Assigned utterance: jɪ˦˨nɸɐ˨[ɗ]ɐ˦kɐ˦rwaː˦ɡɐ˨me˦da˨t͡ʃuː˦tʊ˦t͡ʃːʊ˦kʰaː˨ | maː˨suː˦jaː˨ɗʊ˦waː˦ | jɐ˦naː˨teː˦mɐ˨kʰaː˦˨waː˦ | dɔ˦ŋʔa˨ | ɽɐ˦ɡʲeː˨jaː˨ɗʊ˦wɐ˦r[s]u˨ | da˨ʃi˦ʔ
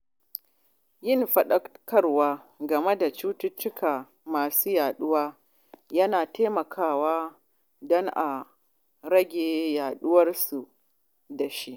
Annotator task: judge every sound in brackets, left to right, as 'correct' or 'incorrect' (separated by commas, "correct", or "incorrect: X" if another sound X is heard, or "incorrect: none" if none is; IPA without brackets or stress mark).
correct, correct